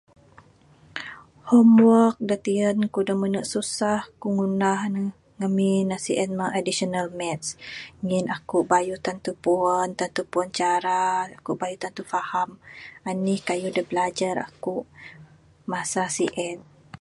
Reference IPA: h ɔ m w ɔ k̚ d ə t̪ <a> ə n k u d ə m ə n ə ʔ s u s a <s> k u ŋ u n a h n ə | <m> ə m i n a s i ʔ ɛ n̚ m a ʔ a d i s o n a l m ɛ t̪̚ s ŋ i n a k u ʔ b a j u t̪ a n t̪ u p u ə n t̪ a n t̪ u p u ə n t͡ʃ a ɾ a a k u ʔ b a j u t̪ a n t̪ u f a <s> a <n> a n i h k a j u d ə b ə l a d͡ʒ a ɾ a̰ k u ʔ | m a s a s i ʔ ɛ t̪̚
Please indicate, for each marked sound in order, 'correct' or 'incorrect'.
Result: incorrect, incorrect, incorrect, incorrect, incorrect

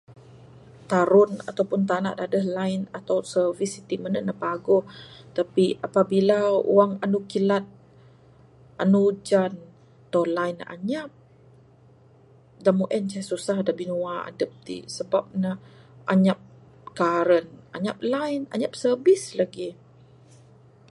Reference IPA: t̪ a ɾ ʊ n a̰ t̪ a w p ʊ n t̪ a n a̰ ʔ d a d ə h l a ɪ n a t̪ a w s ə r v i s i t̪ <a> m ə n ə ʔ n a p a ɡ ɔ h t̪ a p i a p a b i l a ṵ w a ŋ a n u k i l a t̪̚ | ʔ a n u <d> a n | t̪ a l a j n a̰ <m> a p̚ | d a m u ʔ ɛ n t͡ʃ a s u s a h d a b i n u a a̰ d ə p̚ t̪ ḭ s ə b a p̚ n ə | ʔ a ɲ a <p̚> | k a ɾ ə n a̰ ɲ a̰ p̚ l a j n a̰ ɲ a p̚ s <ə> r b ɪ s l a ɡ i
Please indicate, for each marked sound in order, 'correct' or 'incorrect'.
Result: incorrect, incorrect, incorrect, correct, correct

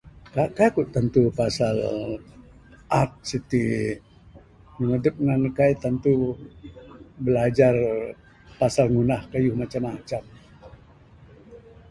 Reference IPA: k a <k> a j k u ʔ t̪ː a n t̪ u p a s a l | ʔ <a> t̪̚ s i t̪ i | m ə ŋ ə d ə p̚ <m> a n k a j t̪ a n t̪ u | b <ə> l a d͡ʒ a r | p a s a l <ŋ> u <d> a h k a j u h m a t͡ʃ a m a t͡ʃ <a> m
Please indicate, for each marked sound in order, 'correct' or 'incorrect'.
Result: correct, correct, incorrect, correct, correct, incorrect, correct

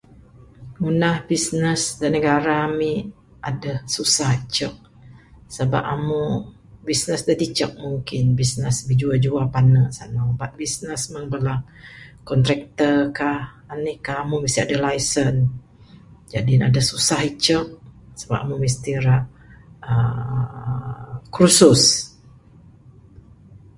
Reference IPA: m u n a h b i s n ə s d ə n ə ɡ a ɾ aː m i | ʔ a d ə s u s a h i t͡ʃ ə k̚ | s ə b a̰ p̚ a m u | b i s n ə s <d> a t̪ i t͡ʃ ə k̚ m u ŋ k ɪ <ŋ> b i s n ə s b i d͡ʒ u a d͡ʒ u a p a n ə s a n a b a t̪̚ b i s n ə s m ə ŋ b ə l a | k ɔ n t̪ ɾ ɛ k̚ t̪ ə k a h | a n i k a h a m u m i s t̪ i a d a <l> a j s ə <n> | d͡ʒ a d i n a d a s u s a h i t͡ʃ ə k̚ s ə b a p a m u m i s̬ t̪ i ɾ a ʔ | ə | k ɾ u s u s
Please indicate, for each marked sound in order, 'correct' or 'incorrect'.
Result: correct, incorrect, correct, correct

